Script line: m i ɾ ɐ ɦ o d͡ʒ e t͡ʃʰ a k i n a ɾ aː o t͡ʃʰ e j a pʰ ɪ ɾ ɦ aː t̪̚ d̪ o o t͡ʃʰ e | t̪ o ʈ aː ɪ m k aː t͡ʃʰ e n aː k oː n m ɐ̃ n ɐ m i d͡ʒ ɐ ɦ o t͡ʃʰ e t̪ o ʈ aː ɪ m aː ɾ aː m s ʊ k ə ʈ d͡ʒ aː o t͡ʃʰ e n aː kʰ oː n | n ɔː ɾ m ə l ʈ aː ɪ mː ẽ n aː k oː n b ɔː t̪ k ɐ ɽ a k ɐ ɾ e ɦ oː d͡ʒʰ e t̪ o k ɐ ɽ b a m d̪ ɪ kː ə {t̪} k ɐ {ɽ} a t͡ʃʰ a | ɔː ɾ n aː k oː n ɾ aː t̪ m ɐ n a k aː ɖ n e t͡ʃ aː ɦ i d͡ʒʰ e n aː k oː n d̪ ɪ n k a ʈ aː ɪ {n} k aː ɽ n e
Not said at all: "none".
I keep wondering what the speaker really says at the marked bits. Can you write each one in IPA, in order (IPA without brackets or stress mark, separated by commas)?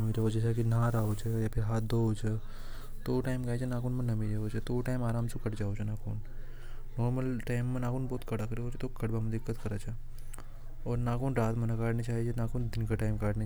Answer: t̪, ɾ, m